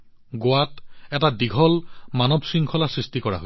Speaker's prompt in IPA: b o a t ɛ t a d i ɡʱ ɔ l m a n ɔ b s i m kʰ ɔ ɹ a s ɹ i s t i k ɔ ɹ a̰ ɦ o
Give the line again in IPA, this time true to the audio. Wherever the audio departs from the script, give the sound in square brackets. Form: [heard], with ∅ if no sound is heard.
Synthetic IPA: [ɡ] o a t ɛ t a d i ɡʱ ɔ l m a n ɔ b s i [ŋ] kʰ ɔ [l] a s ɹ i s t i k ɔ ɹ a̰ ɦ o